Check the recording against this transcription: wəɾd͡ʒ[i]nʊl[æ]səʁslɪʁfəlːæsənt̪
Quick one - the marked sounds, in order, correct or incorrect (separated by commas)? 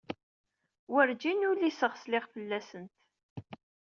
correct, incorrect